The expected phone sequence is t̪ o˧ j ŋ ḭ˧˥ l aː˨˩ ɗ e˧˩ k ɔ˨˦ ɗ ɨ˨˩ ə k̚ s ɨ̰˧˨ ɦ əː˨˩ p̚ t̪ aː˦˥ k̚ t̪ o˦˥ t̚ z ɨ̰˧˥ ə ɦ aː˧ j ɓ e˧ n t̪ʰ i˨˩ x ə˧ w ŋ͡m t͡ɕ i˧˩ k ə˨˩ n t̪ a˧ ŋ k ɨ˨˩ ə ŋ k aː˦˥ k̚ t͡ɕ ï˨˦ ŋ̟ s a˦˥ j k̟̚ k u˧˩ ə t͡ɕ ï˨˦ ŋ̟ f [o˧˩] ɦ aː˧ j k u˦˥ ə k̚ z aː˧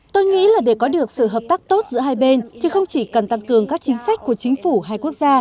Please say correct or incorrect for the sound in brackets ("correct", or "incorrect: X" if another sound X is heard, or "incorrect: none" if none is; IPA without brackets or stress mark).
incorrect: u˧˩